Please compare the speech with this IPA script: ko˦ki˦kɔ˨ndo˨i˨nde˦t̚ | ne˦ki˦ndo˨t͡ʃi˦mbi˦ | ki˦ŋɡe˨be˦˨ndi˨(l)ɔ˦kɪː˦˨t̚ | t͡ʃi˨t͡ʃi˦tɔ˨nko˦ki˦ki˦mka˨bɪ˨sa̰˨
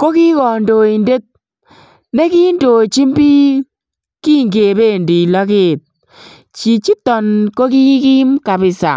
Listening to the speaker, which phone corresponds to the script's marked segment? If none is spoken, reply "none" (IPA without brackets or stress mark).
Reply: l